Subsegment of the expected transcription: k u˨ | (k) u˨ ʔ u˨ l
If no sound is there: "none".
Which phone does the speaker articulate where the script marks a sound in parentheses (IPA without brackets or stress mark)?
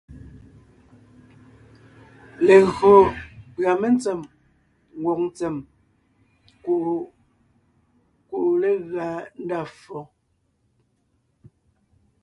k